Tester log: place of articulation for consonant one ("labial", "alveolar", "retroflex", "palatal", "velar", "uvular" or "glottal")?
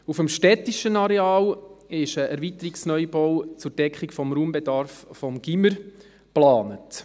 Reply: labial